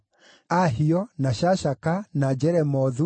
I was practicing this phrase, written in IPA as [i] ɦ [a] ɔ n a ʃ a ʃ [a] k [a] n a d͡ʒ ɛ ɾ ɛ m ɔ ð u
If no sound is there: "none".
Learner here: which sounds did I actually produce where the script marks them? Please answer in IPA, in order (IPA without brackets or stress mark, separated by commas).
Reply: a, i, a, a